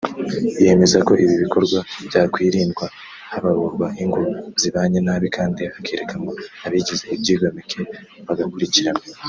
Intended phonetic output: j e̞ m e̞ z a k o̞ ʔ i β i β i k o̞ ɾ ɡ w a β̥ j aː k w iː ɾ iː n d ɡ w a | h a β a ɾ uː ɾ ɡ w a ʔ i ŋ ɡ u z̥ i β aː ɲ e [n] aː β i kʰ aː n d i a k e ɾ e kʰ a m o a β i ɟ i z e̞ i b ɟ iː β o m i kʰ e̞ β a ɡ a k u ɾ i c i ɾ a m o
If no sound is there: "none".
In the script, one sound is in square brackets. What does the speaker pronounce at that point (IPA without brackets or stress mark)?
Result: n